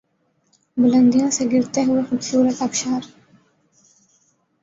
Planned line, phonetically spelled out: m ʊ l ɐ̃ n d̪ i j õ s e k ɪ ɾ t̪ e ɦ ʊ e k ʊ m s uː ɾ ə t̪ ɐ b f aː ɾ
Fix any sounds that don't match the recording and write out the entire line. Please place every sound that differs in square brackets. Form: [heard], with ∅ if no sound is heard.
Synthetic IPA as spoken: [b] ʊ l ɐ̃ n d̪ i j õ s e [ɡ] ɪ ɾ t̪ e ɦ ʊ e [x] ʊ [b] s uː ɾ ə t̪ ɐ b [ʃ] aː ɾ